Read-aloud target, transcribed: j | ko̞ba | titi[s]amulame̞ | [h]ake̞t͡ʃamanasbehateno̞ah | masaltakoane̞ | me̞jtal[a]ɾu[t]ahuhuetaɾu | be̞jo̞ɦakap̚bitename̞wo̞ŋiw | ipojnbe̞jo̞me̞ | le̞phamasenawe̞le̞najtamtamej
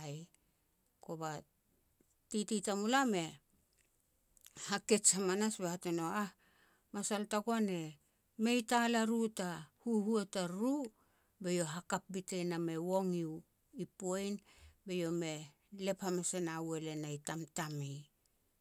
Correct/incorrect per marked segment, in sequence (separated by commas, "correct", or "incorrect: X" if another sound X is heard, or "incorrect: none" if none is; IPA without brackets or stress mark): incorrect: t, correct, correct, correct